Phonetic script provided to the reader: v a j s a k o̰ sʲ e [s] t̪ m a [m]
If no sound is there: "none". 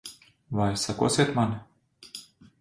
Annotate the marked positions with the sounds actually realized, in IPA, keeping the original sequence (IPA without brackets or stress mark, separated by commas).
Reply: none, n